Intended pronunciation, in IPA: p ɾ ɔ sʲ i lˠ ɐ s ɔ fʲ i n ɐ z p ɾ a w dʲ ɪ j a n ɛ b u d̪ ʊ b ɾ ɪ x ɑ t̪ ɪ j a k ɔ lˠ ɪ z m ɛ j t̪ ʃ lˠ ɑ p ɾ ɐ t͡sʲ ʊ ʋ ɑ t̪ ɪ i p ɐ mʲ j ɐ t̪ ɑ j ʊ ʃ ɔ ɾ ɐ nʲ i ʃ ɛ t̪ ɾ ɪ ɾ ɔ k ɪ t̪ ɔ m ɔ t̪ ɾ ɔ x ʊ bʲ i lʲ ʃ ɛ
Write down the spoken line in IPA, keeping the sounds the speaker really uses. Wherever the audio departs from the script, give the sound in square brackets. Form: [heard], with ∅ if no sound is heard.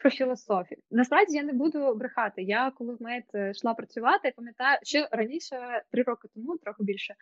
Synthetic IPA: p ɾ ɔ [fʲ] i lˠ ɐ s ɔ fʲ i n ɐ [s] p ɾ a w dʲ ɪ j a n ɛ b u d̪ ʊ b ɾ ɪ x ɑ t̪ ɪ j a k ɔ lˠ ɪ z m ɛ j t̪ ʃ lˠ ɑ p ɾ ɐ t͡sʲ ʊ ʋ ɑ t̪ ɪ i p ɐ mʲ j ɐ t̪ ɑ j ʊ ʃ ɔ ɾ ɐ nʲ i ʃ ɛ t̪ ɾ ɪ ɾ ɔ k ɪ t̪ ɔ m [u] t̪ ɾ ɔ x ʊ bʲ i lʲ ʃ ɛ